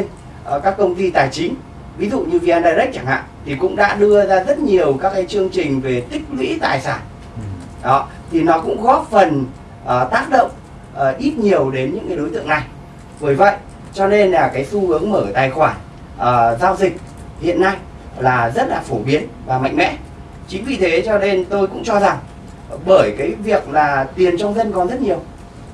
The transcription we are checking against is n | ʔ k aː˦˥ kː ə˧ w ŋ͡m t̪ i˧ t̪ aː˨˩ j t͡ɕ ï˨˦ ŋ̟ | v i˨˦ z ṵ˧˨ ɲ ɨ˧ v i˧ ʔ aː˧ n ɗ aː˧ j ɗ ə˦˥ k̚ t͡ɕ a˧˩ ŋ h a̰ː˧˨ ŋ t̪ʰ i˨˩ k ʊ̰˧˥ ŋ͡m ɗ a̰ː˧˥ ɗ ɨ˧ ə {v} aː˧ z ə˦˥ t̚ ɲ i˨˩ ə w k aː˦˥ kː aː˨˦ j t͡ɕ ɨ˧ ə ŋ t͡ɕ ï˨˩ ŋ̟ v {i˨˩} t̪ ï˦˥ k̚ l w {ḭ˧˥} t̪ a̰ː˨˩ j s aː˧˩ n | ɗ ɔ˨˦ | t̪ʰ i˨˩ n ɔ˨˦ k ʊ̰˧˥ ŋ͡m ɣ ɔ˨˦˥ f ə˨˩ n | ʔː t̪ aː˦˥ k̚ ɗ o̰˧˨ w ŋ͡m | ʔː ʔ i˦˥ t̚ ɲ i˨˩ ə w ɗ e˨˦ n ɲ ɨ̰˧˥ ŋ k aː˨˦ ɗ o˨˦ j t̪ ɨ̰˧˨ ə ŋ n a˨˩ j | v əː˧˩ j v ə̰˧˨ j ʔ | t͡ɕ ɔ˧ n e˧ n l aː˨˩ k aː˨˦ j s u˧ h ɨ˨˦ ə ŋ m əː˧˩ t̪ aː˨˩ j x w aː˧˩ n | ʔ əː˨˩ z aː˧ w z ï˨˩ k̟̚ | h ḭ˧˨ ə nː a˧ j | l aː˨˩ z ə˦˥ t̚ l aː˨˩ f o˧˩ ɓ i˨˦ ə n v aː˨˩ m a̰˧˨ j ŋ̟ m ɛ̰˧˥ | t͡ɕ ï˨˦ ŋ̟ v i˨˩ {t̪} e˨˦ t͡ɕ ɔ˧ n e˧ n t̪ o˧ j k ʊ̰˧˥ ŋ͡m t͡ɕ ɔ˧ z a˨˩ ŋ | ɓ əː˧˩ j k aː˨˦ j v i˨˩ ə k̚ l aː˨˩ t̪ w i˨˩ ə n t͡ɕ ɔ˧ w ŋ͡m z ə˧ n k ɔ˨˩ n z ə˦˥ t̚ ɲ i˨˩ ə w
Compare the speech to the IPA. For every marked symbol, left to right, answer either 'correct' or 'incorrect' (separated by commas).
incorrect, incorrect, correct, incorrect